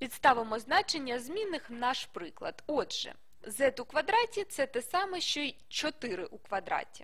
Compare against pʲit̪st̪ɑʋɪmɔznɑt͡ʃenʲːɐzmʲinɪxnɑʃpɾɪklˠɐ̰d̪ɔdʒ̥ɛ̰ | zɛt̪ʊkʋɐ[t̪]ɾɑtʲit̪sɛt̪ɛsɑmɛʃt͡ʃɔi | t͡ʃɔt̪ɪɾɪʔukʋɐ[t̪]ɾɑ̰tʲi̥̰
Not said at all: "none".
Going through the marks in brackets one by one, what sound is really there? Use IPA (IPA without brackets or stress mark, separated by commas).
d̪, d̪